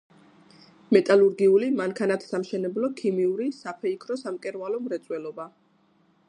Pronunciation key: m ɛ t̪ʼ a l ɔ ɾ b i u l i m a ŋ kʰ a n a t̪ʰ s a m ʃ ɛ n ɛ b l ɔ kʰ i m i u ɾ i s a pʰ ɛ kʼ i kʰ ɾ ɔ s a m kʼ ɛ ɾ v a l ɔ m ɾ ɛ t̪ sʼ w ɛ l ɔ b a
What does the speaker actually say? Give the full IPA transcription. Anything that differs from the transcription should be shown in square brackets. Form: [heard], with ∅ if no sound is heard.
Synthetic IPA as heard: m ɛ t̪ʼ a l [u] ɾ [ɡ] i u l i m a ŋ kʰ a n a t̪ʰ s a m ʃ ɛ n ɛ b l ɔ kʰ i m i u ɾ i s a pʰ ɛ [∅] i kʰ ɾ ɔ s a m kʼ ɛ ɾ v a l ɔ m ɾ ɛ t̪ sʼ w ɛ l ɔ b a